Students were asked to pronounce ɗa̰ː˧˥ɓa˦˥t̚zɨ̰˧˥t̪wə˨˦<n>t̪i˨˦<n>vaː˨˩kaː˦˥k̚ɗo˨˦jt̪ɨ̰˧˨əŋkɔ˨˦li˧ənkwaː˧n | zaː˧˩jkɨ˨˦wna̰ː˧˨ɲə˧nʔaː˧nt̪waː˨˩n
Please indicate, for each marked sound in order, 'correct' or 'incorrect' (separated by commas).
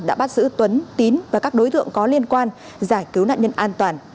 correct, correct